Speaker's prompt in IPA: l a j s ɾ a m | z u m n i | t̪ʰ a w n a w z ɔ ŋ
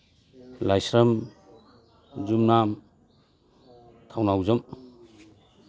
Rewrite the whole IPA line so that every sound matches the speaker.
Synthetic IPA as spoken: l a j s ɾ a m | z u m n a | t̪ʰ a w n a w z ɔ m